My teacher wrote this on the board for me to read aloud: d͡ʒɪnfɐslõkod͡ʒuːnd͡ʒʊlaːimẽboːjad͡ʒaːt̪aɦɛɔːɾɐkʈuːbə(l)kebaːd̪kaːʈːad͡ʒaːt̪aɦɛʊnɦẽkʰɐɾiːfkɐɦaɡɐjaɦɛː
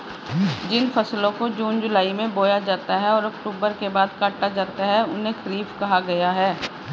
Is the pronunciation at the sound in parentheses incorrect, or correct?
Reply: incorrect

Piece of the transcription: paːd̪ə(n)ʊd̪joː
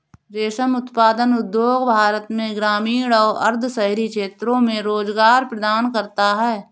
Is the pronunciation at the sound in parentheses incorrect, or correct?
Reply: correct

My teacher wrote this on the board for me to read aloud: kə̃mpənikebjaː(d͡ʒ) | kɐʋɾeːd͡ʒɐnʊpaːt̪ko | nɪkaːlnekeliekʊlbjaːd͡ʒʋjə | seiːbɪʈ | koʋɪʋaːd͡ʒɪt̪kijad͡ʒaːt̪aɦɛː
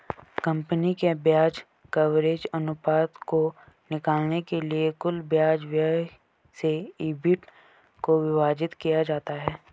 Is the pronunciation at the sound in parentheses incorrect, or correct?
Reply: correct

